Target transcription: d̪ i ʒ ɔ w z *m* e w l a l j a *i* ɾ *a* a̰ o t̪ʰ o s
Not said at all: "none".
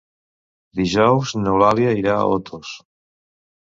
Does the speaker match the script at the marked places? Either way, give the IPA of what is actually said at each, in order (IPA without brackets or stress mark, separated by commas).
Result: n, i, a